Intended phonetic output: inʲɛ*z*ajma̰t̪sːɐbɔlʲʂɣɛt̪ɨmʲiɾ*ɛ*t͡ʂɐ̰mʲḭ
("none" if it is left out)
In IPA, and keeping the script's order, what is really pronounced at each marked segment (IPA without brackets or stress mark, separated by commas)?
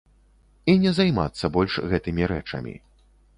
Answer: z, ɛ